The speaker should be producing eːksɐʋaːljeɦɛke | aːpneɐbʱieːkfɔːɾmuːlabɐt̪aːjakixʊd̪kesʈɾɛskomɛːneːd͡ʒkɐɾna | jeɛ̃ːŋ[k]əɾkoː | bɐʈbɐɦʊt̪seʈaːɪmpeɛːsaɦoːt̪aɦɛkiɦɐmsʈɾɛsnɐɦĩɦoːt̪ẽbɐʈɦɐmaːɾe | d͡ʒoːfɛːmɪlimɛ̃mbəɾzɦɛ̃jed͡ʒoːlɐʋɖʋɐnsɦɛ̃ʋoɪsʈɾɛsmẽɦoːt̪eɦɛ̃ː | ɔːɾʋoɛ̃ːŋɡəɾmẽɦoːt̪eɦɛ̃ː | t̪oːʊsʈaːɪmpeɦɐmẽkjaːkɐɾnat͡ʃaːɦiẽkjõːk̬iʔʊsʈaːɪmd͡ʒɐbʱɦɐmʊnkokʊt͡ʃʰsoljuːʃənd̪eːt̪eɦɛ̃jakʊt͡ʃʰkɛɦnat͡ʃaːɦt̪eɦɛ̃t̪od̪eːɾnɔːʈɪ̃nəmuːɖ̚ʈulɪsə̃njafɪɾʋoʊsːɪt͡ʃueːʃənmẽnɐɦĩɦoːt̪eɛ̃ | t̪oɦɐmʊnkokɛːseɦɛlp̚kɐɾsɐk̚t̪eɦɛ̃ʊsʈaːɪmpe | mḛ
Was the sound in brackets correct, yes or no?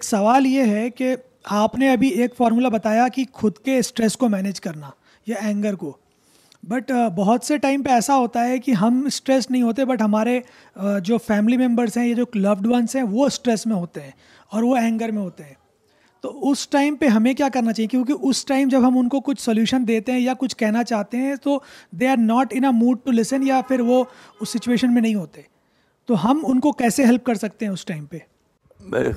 no